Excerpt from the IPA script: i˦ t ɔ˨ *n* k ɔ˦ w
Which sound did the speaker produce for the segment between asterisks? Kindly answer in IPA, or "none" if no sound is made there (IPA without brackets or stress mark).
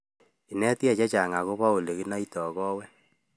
none